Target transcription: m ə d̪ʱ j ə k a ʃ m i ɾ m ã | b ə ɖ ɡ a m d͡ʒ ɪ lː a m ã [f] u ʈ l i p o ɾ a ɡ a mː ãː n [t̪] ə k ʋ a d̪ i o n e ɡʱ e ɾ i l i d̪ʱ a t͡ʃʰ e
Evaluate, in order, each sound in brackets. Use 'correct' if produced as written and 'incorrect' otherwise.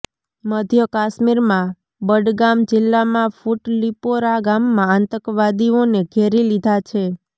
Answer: correct, correct

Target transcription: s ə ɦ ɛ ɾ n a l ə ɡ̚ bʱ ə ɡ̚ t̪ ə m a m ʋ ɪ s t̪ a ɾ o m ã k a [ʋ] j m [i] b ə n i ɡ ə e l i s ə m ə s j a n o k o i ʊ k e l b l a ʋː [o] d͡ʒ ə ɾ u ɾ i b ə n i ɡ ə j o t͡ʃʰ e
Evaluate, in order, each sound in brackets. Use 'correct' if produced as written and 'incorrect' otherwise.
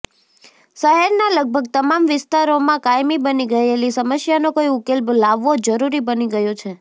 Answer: incorrect: none, correct, correct

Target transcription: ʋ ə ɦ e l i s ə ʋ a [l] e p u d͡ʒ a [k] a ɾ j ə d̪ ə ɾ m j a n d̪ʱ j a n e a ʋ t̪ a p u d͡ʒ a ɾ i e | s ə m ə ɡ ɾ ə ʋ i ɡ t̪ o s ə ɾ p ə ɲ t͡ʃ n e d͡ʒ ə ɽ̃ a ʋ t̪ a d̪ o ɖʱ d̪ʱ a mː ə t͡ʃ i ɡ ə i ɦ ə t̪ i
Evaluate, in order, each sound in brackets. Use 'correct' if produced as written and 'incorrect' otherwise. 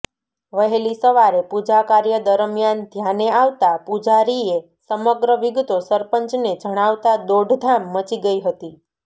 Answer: incorrect: ɾ, correct

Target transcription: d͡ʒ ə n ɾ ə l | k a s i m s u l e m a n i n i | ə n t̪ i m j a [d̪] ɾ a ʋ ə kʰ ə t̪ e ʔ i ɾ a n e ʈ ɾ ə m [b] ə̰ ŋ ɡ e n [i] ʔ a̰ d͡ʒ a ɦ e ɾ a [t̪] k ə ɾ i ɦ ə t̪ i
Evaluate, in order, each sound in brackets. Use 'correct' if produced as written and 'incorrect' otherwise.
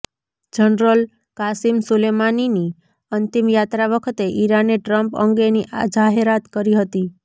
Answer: incorrect: t̪, incorrect: p, correct, correct

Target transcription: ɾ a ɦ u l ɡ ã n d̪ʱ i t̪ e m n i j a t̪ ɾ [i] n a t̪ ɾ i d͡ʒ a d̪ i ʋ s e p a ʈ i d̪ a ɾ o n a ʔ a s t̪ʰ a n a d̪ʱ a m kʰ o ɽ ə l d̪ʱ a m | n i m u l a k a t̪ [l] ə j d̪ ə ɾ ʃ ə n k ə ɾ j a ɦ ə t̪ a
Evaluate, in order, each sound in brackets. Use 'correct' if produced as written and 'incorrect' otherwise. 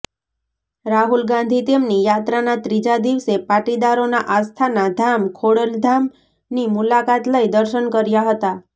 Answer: incorrect: a, correct

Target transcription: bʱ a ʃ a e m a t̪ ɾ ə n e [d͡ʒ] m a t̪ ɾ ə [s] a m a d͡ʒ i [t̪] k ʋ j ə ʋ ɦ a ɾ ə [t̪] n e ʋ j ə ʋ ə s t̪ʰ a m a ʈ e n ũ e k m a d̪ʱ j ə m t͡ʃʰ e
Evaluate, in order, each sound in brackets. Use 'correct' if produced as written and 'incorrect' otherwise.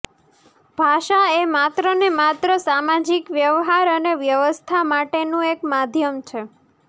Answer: incorrect: none, correct, incorrect: none, incorrect: none

